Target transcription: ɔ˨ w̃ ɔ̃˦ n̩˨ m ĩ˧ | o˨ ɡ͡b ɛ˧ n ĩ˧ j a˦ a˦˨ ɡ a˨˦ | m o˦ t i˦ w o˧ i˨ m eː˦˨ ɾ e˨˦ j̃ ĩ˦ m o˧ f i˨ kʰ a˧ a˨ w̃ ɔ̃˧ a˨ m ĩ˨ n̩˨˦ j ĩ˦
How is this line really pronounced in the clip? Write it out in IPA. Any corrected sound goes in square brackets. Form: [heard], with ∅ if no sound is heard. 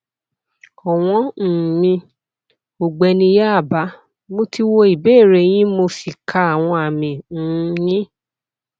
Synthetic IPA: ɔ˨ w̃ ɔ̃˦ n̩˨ m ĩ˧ | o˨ ɡ͡b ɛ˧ n ĩ˧ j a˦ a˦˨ [b] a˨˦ | m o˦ t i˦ w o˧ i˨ [b] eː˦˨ ɾ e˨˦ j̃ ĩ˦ m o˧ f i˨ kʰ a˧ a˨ w̃ ɔ̃˧ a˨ m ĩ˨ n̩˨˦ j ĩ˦